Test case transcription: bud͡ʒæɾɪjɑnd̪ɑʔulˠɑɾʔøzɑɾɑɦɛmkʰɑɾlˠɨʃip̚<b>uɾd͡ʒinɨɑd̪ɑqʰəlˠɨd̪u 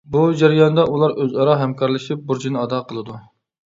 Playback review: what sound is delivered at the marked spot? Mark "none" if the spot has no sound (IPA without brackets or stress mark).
b